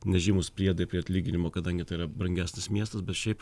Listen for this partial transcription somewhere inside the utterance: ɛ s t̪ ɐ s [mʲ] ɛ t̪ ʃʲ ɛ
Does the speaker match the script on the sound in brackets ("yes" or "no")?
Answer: no